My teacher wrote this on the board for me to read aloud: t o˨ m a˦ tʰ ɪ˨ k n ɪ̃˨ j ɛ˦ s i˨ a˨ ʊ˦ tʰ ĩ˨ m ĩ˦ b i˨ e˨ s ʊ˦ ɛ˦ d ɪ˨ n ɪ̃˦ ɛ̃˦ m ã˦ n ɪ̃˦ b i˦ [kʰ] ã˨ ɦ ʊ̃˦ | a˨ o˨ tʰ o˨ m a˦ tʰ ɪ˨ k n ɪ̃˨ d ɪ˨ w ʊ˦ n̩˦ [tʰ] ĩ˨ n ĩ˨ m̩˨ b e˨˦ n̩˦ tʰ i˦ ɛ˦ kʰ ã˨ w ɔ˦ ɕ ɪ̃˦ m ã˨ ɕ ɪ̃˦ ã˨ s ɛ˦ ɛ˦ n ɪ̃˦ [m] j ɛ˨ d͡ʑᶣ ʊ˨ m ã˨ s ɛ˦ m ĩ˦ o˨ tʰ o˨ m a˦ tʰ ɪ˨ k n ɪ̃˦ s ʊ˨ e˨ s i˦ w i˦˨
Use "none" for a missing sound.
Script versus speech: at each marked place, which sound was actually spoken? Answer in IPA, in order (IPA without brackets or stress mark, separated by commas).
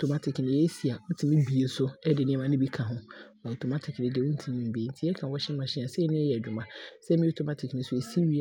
kʰ, tʰ, none